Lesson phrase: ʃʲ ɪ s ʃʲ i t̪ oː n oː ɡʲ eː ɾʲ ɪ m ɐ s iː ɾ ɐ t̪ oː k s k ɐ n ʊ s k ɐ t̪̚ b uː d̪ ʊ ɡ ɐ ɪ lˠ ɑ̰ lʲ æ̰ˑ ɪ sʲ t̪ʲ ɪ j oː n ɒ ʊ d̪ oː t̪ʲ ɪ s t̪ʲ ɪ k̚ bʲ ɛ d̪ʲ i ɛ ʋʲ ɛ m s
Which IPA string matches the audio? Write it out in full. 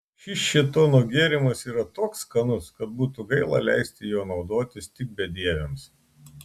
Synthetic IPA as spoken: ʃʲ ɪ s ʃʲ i t̪ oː n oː ɡʲ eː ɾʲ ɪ m ɐ s iː ɾ ɐ t̪ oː k s k ɐ n ʊ s k ɐ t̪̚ b uː t̪ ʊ ɡ ɐ ɪ lˠ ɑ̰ lʲ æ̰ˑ ɪ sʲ t̪ʲ ɪ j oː n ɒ ʊ d̪ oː t̪ʲ ɪ s t̪ʲ ɪ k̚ bʲ ɛ d̪ʲ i ɛ ʋʲ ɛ m s